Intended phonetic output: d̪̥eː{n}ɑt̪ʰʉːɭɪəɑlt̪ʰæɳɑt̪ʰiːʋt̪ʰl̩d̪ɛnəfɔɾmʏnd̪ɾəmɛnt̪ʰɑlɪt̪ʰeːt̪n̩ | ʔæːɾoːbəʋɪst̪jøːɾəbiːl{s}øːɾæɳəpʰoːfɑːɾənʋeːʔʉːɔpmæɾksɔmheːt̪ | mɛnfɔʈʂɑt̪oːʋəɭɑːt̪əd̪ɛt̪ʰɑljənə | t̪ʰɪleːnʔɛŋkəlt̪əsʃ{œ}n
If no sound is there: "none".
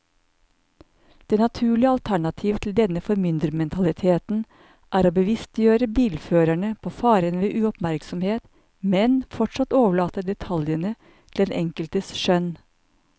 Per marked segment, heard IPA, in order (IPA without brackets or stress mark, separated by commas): n, f, œ